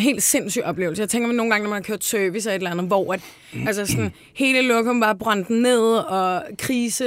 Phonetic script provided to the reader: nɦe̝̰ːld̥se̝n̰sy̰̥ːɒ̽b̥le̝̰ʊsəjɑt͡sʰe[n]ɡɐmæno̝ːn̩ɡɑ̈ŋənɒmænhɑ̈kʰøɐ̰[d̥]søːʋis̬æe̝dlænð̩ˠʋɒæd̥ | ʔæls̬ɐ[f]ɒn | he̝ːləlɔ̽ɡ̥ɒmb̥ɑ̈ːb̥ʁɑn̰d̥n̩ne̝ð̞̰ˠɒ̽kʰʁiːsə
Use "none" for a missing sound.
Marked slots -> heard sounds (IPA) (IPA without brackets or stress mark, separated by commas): ŋ, d̥, s